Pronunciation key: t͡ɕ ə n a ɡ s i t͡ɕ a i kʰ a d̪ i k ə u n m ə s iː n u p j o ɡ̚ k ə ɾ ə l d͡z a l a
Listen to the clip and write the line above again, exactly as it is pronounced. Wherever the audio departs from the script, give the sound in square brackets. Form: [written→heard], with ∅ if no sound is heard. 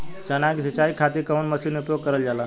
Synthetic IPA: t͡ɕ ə n a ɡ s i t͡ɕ a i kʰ a [d̪→t̪] i k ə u n m ə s iː n u p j o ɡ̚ k ə ɾ ə l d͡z a l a